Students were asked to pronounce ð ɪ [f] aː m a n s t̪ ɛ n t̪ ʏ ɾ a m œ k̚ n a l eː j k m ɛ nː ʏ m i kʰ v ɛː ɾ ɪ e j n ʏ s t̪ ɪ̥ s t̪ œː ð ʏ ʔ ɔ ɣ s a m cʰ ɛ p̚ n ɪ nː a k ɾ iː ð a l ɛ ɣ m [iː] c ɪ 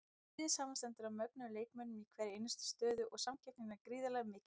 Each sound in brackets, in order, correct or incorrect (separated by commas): incorrect, incorrect